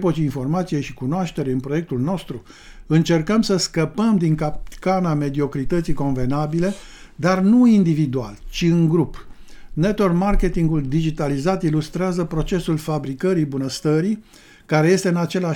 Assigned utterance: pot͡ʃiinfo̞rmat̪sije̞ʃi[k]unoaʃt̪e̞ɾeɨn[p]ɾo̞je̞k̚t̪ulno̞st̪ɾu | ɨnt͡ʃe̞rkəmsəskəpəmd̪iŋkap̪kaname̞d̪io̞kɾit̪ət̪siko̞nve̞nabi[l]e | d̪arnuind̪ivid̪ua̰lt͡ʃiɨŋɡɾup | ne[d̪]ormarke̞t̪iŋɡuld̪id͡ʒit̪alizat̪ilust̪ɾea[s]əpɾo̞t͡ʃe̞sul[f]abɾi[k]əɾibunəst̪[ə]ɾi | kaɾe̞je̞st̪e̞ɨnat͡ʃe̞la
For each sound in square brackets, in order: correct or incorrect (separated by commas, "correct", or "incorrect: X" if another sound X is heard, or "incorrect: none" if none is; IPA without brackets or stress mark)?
correct, correct, correct, incorrect: t̪, incorrect: z, correct, correct, correct